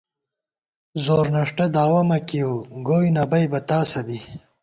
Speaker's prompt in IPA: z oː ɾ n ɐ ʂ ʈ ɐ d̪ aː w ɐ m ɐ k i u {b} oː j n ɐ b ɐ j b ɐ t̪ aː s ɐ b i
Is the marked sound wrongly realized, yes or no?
yes